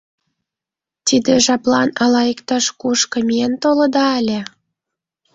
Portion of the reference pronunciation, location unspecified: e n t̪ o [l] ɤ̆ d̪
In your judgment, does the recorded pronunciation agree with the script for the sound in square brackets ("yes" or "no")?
yes